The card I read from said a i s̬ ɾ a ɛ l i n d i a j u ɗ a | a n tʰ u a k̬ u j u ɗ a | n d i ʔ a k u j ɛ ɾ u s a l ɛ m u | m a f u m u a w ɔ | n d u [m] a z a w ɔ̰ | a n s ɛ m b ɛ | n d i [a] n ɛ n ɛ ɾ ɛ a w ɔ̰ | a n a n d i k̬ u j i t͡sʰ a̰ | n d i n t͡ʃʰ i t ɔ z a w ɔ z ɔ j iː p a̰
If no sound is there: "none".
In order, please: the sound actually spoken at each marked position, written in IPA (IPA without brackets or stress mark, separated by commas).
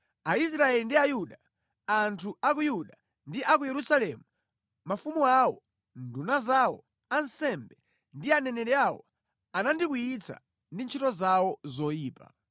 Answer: n, a